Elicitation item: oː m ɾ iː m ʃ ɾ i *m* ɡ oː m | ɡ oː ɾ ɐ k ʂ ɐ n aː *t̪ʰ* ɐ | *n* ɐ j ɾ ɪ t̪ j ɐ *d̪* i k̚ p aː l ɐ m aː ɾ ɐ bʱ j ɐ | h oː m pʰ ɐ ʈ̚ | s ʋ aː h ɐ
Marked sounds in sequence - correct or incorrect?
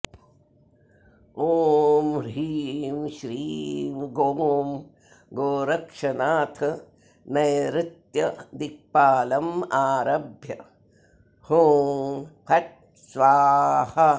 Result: correct, correct, correct, correct

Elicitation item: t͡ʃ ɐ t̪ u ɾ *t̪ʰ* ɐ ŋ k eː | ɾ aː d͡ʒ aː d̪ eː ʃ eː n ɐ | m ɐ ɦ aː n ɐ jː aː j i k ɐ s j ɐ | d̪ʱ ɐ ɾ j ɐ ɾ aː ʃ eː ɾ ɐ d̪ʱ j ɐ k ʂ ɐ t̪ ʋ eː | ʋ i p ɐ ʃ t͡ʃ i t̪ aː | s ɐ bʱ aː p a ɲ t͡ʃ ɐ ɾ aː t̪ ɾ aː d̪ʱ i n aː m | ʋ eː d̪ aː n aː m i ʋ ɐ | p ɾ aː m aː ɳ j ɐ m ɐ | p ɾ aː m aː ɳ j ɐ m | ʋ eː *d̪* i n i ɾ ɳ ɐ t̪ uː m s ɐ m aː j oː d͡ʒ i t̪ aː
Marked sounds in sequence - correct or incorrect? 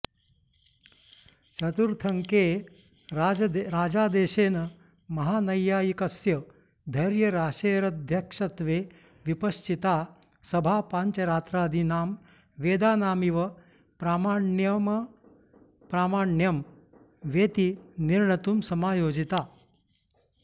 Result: correct, incorrect

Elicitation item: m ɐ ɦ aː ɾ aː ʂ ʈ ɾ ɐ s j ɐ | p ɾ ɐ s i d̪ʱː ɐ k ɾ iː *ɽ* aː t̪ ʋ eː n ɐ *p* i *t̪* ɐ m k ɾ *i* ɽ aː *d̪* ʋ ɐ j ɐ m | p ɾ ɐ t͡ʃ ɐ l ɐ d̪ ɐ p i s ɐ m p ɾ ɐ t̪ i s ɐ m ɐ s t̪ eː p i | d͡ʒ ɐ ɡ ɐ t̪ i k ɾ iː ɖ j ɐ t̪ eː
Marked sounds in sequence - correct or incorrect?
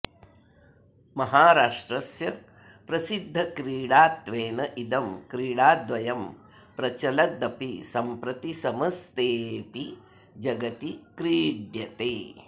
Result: correct, incorrect, incorrect, incorrect, correct

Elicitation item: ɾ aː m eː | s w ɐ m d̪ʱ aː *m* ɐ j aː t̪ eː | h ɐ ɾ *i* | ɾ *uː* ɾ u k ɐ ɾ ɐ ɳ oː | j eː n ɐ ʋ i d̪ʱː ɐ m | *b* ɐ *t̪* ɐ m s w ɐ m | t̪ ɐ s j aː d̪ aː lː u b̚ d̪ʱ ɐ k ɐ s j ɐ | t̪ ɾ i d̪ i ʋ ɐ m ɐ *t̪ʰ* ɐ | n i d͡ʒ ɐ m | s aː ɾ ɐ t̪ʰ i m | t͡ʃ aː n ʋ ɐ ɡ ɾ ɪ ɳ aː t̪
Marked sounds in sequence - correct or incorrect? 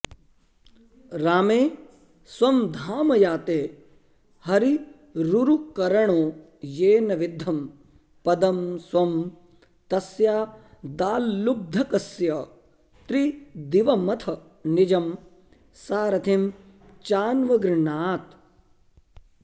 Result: correct, correct, incorrect, incorrect, incorrect, correct

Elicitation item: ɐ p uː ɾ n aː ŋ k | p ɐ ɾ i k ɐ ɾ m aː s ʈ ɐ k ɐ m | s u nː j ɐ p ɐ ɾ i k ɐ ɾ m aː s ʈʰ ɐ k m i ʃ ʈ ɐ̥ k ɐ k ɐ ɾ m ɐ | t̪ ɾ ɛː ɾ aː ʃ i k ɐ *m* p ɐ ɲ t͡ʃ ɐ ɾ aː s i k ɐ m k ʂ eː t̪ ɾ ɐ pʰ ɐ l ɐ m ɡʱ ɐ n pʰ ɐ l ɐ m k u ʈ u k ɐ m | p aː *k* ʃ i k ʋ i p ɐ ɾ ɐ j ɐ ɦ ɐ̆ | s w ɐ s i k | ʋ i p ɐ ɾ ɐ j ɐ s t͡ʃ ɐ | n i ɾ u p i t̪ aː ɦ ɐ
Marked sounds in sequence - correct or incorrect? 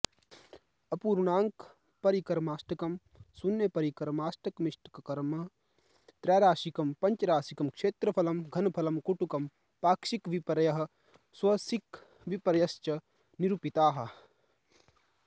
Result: correct, correct

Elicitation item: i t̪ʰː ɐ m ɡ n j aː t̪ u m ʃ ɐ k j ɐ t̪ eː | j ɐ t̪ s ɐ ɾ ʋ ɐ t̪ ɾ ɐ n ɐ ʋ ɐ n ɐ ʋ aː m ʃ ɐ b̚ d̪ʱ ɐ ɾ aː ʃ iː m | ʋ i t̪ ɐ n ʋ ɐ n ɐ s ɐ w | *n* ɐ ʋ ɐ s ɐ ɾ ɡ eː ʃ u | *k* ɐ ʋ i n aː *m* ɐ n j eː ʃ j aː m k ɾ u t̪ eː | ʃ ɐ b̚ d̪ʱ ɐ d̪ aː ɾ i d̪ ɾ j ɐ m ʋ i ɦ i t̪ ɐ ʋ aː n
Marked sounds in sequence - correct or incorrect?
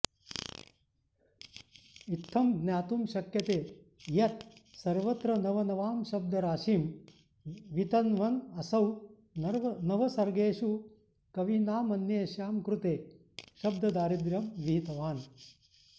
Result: correct, correct, correct

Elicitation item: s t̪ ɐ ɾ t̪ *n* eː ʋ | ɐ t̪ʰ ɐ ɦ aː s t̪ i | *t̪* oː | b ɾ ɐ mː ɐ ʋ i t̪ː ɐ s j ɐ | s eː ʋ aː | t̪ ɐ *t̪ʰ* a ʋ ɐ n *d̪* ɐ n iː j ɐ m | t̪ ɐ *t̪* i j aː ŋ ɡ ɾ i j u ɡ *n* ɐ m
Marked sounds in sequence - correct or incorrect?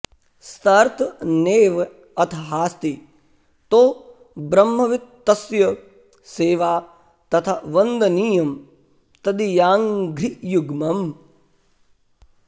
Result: correct, correct, correct, correct, incorrect, incorrect

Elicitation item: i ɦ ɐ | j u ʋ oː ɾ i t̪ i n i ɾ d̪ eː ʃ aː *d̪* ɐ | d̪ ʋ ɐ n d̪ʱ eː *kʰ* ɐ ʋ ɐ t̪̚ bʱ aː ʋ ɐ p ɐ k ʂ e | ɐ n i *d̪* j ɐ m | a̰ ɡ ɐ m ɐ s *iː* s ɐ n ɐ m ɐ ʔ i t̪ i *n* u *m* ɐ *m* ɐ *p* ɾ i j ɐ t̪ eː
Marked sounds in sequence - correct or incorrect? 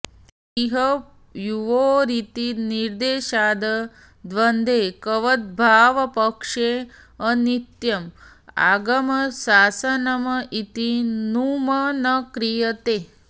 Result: correct, incorrect, incorrect, incorrect, correct, correct, incorrect, incorrect

